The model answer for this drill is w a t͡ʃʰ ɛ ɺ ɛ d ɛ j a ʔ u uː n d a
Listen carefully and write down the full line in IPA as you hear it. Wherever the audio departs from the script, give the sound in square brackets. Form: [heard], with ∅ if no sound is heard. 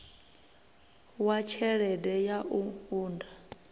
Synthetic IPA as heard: w a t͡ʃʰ ɛ ɺ ɛ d ɛ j a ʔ u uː n d a